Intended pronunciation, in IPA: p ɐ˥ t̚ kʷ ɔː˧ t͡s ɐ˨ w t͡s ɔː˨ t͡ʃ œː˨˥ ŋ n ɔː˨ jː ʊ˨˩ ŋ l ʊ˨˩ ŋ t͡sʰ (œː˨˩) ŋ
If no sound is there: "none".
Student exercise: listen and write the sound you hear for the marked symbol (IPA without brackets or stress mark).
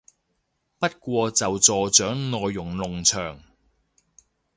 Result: œː˨˩